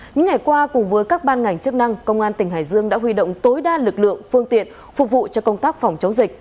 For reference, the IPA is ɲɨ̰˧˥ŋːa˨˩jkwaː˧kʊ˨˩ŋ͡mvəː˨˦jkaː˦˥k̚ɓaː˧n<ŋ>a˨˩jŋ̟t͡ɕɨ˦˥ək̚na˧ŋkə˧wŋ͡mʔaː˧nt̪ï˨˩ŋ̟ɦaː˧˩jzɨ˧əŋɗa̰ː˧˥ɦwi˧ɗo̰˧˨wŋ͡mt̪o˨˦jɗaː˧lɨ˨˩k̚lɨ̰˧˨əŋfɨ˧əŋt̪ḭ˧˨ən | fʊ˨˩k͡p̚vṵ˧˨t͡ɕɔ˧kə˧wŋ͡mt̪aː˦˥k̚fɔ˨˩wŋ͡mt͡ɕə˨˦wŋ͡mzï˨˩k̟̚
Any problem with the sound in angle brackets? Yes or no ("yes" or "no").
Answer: no